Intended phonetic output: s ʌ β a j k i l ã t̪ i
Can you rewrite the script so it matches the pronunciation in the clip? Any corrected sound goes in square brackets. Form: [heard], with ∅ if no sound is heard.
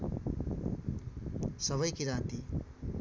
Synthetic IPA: s ʌ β [ʌ] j k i [ɾ] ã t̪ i